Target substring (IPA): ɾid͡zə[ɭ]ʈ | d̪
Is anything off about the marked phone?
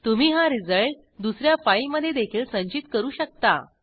no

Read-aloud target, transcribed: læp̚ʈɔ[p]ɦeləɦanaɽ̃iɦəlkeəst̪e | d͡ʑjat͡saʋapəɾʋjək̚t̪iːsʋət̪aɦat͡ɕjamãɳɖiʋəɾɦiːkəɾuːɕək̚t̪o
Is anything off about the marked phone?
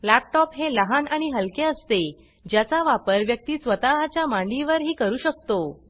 no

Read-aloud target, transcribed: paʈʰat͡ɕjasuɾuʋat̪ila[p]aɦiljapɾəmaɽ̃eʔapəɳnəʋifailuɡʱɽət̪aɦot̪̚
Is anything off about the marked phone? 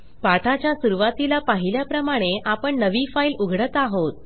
no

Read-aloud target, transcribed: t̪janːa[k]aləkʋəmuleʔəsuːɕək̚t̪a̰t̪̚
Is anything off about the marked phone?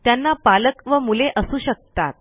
yes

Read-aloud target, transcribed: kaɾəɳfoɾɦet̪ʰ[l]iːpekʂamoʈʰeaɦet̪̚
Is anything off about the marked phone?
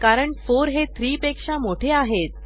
yes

